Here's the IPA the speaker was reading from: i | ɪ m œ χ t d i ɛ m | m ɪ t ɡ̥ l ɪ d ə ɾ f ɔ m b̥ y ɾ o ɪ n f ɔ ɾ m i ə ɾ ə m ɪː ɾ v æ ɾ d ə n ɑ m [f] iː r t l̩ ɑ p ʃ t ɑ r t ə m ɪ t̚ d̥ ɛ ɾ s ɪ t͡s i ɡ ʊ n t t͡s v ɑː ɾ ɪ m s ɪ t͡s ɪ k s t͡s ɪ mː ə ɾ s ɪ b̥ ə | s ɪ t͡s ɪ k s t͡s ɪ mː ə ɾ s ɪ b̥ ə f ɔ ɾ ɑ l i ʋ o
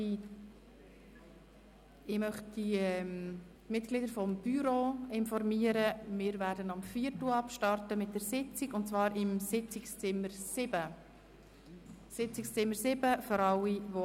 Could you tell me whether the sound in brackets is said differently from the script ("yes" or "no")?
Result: no